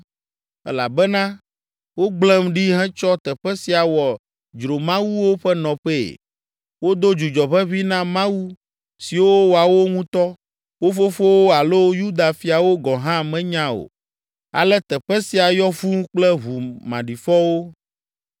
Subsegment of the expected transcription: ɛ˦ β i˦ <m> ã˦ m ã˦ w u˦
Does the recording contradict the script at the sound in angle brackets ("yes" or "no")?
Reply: yes